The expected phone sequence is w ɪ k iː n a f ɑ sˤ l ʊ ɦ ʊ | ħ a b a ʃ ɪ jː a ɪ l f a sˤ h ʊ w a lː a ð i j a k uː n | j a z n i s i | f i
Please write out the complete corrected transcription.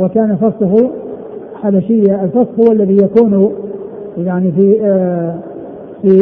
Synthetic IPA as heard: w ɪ k aː n a f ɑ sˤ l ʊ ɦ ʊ | ħ a b a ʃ ɪ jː a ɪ l f ɑ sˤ h ʊ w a lː a ð i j a k uː n | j a ʕ n i f i | f i